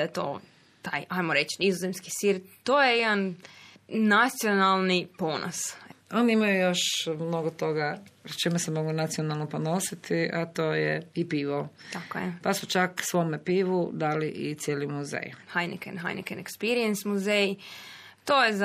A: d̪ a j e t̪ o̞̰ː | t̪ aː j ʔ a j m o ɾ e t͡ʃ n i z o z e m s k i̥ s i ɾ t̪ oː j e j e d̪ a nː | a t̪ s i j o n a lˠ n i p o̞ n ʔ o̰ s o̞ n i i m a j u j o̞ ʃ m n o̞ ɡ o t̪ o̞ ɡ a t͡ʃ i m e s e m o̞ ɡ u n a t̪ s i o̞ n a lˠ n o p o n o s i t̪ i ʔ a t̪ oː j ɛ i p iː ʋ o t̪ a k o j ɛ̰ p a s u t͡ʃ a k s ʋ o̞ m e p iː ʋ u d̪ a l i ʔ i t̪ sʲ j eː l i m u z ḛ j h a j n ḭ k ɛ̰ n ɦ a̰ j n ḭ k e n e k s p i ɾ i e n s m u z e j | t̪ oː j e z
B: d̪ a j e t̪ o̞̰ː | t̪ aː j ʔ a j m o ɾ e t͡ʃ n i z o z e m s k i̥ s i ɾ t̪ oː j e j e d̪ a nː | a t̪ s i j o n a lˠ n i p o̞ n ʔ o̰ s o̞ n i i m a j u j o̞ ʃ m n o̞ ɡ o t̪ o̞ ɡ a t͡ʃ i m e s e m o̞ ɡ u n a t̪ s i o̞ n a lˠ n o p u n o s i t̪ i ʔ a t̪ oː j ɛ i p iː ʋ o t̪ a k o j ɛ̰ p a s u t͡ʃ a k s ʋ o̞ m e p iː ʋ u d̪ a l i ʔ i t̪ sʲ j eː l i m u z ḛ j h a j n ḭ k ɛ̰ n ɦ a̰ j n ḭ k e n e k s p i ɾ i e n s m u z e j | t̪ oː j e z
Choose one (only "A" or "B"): A